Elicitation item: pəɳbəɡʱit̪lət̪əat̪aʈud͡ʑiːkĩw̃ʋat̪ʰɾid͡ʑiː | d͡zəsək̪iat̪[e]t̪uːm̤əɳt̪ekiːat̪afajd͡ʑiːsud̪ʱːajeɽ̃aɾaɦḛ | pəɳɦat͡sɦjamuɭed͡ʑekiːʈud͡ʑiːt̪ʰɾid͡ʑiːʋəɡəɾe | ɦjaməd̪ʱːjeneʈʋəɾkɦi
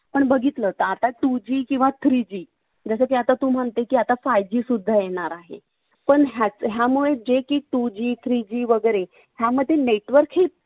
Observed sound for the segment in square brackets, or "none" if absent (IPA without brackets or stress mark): a